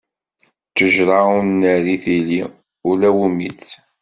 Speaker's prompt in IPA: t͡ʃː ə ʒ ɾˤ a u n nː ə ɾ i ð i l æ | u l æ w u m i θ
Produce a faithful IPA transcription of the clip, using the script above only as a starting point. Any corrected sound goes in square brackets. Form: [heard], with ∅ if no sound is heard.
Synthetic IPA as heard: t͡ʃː ə ʒ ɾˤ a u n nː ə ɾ i [θ] i l [i] | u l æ w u m i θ